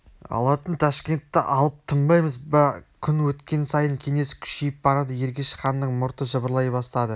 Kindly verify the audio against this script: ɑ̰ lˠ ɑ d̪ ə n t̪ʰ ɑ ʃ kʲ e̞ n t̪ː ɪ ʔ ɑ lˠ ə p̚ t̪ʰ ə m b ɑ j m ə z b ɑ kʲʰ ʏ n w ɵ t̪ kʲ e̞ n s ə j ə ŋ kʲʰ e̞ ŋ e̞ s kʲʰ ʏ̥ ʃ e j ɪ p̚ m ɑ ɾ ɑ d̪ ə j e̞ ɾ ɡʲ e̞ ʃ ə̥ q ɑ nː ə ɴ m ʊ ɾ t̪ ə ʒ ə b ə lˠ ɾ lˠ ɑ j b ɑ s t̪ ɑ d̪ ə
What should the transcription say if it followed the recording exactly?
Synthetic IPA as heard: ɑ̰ lˠ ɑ t̪ ə n t̪ʰ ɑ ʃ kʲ e̞ n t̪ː ɪ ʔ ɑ lˠ ə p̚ t̪ʰ ə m b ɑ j m ə z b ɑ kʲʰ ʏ n w ɵ t̪ kʲ e̞ n s ɑ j ə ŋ kʲʰ e̞ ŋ e̞ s kʲʰ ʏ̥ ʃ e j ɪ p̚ b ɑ ɾ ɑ d̪ ə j e̞ ɾ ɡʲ e̞ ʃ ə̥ q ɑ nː ə ɴ m ʊ ɾ t̪ ə ʒ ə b ə ɾ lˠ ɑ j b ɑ s t̪ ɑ d̪ ə